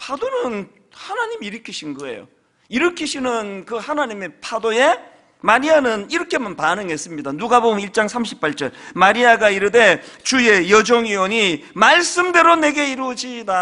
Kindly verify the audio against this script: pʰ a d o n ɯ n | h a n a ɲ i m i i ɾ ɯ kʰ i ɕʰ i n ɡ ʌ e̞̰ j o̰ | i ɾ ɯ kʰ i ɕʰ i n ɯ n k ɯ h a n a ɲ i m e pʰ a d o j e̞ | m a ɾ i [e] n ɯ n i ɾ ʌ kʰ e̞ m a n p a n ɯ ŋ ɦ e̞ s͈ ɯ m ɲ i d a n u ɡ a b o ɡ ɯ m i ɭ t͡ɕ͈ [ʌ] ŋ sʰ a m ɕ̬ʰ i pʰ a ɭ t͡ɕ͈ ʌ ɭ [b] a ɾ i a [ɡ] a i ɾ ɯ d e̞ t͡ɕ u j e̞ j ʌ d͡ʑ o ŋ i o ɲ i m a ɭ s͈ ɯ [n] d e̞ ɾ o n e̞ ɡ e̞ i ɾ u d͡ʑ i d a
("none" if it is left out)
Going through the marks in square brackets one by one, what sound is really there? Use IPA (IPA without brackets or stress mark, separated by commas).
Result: a, a, m, ɡ, m